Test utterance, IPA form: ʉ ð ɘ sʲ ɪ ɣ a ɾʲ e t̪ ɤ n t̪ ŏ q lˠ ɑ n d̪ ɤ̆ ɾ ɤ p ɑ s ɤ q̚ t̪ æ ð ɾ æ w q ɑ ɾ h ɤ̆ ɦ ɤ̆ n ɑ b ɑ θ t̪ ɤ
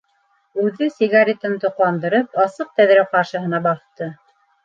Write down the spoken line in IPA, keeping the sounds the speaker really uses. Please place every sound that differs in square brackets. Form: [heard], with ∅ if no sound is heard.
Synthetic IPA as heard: ʉ ð ɘ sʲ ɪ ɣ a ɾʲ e t̪ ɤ n t̪ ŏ q lˠ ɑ n d̪ ɤ̆ ɾ ɤ p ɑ s ɤ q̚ t̪ æ ð ɾ æ w q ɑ ɾ [ʃ] ɤ̆ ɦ ɤ̆ n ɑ b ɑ θ t̪ ɤ